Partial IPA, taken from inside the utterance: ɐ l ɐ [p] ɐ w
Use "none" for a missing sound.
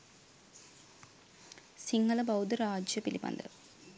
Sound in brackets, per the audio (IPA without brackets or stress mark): b